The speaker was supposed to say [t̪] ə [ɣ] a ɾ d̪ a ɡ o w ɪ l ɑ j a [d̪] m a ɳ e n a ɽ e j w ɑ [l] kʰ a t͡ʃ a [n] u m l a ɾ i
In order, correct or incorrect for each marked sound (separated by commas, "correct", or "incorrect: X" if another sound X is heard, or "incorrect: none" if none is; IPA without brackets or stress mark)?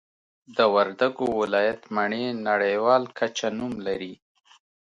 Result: incorrect: d̪, incorrect: w, incorrect: t̪, correct, correct